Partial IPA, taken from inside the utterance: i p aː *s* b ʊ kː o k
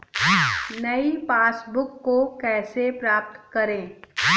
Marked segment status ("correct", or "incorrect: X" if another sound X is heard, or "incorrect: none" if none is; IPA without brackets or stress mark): correct